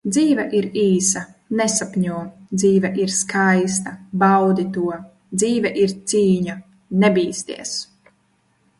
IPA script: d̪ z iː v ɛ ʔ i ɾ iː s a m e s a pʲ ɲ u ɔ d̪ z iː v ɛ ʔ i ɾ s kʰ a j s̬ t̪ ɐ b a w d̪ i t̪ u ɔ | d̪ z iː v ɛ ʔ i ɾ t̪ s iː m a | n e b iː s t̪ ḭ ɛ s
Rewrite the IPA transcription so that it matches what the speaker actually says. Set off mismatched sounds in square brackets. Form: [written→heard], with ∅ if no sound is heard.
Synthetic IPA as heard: d̪ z iː v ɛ ʔ i ɾ iː s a [m→n] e s a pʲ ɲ u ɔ d̪ z iː v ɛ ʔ i ɾ s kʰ a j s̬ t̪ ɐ b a w d̪ i t̪ u ɔ | d̪ z iː v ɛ ʔ i ɾ t̪ s iː [m→ɲ] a | n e b iː s t̪ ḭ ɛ s